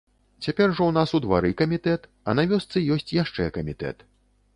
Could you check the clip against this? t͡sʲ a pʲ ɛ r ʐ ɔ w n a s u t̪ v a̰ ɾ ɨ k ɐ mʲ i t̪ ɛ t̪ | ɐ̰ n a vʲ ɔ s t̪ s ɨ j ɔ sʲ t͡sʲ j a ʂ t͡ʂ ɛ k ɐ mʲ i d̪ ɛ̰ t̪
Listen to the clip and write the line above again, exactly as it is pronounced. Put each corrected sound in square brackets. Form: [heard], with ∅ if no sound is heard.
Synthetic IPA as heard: t͡sʲ a pʲ ɛ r ʐ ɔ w n a s u [d̪] v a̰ ɾ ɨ k ɐ mʲ i t̪ ɛ t̪ | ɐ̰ n a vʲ ɔ s t̪ s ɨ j ɔ sʲ t͡sʲ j a ʂ t͡ʂ ɛ k ɐ mʲ i [t̪] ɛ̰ t̪

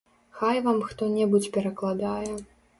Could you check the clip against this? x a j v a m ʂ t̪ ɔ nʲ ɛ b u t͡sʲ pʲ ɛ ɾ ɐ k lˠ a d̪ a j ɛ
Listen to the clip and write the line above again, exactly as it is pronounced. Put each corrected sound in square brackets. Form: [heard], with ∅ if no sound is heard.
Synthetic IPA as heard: x a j v a m [x] t̪ ɔ nʲ ɛ b u t͡sʲ pʲ ɛ ɾ ɐ k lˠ a d̪ a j ɛ

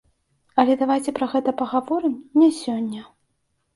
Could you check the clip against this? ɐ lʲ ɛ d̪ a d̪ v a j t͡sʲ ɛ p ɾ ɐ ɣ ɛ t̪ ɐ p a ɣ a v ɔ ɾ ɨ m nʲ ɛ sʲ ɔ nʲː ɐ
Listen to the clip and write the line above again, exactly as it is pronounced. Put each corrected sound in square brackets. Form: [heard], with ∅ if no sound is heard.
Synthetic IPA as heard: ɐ lʲ ɛ d̪ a [∅] v a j t͡sʲ ɛ p ɾ ɐ ɣ ɛ t̪ ɐ p [ɐ] ɣ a v ɔ ɾ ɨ m nʲ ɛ sʲ ɔ nʲː ɐ

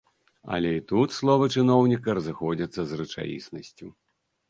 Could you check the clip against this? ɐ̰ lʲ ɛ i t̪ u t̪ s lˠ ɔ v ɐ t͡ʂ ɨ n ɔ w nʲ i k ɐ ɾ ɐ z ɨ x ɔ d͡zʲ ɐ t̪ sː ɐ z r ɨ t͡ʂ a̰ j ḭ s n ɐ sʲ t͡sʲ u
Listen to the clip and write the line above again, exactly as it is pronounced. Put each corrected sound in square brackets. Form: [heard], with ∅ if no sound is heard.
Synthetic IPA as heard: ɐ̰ lʲ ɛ i t̪ u t̪ s lˠ ɔ v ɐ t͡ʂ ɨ n ɔ w nʲ i k ɐ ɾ ɐ z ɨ x ɔ d͡zʲ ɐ t̪ sː ɐ z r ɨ t͡ʂ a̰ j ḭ s n ɐ sʲ t͡sʲ u

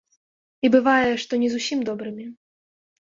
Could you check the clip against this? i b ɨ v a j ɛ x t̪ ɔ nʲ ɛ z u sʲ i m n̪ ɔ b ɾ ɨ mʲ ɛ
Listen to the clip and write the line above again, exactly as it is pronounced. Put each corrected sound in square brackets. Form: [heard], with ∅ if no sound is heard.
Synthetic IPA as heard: i b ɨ v a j ɛ [ʂ] t̪ ɔ nʲ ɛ z u sʲ i m [d̪] ɔ b ɾ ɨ mʲ [i]

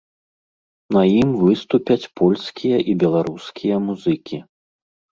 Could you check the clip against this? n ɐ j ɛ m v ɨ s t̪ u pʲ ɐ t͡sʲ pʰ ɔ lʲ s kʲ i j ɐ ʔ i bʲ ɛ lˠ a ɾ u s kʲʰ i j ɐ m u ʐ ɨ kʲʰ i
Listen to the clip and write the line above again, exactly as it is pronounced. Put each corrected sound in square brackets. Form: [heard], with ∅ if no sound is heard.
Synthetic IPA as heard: n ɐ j [i] m v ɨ s t̪ u pʲ ɐ t͡sʲ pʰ ɔ lʲ s kʲ i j ɐ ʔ i bʲ ɛ lˠ a ɾ u s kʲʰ i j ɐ m u [z] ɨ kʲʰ i

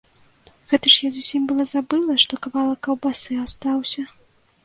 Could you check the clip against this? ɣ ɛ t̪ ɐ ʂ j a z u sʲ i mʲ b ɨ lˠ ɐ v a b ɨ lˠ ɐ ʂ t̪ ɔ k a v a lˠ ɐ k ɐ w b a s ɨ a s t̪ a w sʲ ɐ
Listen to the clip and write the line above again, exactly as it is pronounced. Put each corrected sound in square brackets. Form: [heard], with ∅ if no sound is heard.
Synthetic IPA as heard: ɣ ɛ t̪ ɐ ʂ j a z u sʲ i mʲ b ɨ lˠ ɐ [z] a b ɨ lˠ ɐ ʂ t̪ ɔ k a v a lˠ ɐ k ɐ w b a s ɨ a s t̪ a w sʲ ɐ

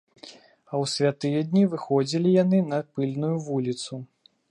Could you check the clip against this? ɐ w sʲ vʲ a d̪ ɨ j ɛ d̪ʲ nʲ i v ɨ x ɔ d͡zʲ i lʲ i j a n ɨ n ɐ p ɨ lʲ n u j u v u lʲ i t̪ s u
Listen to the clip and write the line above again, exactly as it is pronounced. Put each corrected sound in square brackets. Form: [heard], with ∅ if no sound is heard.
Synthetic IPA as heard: ɐ w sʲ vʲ a [t̪] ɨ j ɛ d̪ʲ nʲ i v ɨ x ɔ d͡zʲ i lʲ i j a n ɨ n ɐ p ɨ lʲ n u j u v u lʲ i t̪ s u

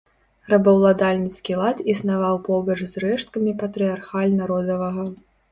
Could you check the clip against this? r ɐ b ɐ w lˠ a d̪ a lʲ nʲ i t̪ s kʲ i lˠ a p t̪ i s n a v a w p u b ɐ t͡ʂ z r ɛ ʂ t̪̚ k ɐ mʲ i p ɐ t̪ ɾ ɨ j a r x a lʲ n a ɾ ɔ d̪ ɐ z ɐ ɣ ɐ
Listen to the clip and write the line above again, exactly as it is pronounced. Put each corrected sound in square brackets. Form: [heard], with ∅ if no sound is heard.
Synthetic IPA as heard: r ɐ b ɐ w lˠ a d̪ a lʲ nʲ i t̪ s kʲ i lˠ a [∅] t̪ i s n a v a w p [ɔ] b ɐ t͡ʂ z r ɛ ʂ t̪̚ k ɐ mʲ i p ɐ t̪ ɾ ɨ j a r x a lʲ n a ɾ ɔ d̪ ɐ [v] ɐ ɣ ɐ

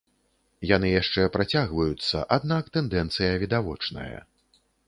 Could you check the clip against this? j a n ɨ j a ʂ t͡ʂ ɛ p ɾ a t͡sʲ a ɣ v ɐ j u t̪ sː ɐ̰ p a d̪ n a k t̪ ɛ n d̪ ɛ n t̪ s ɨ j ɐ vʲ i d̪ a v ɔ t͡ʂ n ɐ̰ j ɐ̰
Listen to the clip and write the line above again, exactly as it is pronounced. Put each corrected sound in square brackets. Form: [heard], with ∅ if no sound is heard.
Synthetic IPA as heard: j a n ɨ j a ʂ t͡ʂ ɛ p ɾ a t͡sʲ a ɣ v ɐ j u t̪ sː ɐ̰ [ʔ] a d̪ n a k t̪ ɛ n d̪ ɛ n t̪ s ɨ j ɐ vʲ i d̪ a v ɔ t͡ʂ n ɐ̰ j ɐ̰

